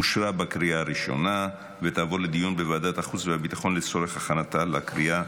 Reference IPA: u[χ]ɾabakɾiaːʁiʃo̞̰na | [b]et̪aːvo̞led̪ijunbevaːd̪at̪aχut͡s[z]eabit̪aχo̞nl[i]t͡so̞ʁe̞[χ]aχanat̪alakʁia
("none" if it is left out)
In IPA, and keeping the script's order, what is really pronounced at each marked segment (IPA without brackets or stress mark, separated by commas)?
ʃ, v, v, e, χ